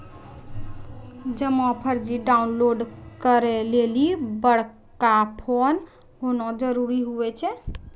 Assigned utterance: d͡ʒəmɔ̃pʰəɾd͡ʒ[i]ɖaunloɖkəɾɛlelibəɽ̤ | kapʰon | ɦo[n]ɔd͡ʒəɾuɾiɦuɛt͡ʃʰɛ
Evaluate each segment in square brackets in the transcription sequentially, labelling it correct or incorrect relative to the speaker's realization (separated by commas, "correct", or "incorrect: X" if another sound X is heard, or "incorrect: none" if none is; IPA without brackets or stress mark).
correct, correct